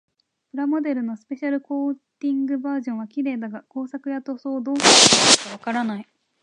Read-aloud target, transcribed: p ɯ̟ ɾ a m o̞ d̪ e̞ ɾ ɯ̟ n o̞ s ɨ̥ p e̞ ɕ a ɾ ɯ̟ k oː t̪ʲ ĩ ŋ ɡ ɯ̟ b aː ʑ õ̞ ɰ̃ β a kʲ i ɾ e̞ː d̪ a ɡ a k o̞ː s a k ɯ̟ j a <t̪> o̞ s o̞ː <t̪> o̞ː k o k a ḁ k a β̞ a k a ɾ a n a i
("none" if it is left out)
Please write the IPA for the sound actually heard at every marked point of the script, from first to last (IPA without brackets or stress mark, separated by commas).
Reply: t̪, d̪